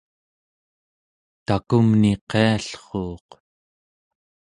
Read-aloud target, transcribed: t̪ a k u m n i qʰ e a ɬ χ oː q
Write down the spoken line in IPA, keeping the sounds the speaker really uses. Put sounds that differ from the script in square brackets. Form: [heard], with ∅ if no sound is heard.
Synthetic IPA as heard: t̪ a k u m n i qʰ e a ɬ χ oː q